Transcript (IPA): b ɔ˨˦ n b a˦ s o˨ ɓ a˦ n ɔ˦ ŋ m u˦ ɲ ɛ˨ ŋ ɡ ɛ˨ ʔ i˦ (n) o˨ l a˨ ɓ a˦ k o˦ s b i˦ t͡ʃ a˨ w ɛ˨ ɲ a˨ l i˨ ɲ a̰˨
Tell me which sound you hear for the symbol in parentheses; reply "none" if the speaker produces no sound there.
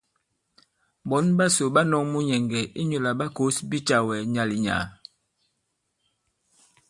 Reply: ɲ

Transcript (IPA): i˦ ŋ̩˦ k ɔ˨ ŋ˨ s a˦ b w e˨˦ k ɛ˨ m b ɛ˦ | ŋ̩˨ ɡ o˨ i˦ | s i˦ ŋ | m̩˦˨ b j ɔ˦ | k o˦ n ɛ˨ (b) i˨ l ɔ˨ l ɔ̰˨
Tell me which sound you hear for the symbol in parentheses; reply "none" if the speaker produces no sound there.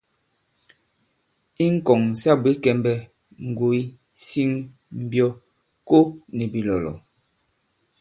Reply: b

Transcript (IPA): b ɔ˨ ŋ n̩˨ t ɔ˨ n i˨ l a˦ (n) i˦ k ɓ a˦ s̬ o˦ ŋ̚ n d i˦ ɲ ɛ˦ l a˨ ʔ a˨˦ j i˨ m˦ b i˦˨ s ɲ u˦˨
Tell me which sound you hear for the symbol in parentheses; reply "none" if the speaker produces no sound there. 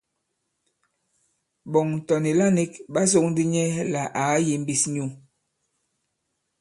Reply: n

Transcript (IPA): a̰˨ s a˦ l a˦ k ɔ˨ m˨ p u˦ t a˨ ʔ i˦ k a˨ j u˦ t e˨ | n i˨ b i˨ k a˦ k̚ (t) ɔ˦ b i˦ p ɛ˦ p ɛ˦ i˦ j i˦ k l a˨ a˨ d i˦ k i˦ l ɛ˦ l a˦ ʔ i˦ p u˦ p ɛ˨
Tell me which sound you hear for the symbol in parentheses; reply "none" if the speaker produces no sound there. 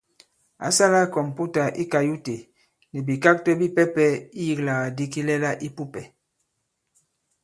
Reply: t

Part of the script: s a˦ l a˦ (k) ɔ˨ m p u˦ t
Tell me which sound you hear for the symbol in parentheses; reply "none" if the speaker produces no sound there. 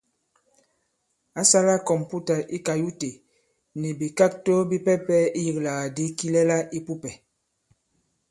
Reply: k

